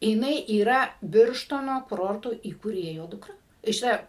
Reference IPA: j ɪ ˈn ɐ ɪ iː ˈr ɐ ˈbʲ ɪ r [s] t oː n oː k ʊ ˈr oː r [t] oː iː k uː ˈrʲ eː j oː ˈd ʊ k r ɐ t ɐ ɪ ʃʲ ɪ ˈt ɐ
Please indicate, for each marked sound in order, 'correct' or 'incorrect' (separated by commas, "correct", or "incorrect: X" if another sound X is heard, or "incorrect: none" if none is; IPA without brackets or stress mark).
incorrect: ʃ, correct